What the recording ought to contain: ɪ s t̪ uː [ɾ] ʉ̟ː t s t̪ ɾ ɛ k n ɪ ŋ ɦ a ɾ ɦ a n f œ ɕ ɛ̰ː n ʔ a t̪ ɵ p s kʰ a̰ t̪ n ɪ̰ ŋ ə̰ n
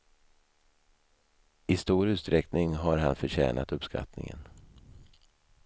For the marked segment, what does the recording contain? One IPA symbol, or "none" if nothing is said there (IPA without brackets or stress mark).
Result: ɾ